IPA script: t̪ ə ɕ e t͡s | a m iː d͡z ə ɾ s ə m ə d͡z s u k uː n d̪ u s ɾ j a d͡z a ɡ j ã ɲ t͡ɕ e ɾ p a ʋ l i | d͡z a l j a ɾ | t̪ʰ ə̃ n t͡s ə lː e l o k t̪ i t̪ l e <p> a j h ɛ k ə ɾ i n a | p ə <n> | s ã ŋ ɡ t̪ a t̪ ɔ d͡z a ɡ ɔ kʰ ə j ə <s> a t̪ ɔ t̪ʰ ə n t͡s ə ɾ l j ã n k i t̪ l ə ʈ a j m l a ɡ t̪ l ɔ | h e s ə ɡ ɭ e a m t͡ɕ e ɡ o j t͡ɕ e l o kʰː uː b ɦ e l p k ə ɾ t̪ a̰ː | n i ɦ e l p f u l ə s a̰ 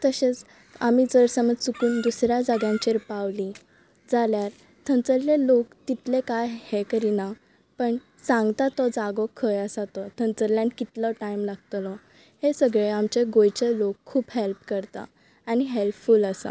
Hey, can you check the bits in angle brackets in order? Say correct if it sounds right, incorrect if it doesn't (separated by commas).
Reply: incorrect, incorrect, correct